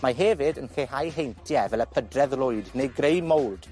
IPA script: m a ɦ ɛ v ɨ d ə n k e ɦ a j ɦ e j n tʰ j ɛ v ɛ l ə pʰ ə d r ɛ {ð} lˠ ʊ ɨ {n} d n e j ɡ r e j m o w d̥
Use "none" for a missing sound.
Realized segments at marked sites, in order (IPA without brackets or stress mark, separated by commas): ð, none